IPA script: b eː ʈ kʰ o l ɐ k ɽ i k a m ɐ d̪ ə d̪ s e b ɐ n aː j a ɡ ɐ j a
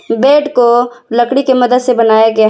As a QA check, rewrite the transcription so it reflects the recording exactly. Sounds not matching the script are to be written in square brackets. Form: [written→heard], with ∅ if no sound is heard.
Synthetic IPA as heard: b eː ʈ [kʰ→k] o l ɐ k ɽ i k [a→e] m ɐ d̪ ə d̪ s e b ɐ n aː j a ɡ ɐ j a